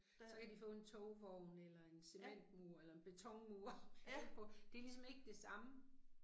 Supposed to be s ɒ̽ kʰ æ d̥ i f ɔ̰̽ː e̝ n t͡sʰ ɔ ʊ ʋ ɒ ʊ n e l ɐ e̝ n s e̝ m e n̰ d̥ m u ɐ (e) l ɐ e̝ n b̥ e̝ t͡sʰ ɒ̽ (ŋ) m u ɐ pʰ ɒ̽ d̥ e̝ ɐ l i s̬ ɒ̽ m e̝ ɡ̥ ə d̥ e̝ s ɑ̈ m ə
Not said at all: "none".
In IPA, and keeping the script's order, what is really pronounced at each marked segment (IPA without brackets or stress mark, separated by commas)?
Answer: e, ŋ